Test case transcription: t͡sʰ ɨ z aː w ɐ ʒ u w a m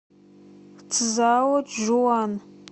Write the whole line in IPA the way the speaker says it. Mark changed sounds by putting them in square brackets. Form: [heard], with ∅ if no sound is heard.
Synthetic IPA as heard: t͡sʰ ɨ z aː w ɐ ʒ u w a [n]